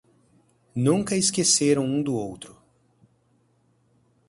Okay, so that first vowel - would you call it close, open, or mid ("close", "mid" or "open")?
close